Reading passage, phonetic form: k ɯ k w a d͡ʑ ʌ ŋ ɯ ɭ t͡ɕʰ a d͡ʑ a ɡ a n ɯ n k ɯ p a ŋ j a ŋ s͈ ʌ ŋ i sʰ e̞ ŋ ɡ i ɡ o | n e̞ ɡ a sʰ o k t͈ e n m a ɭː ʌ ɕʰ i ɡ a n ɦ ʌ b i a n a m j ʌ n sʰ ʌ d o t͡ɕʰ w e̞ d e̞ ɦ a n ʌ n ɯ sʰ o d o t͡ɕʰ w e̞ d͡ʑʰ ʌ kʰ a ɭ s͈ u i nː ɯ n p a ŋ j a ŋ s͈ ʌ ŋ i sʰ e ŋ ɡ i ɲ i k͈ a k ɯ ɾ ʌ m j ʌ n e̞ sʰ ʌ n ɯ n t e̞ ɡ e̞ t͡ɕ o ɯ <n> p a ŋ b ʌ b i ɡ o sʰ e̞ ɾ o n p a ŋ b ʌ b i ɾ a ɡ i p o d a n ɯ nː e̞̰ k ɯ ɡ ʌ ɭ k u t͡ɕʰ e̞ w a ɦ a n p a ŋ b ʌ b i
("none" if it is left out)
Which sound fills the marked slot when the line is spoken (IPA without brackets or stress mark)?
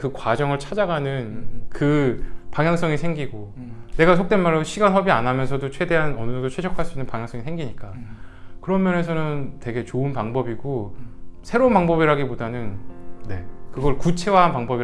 n